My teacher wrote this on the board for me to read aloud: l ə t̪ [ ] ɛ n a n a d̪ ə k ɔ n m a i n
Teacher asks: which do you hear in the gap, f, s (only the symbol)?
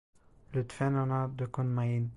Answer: f